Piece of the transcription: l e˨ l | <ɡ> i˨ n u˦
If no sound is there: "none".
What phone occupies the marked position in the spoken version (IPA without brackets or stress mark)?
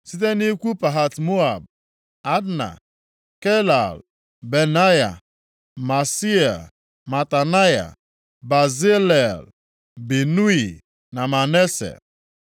b